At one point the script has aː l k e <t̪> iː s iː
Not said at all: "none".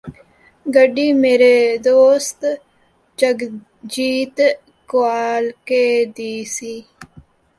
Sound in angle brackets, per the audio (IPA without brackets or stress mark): d̪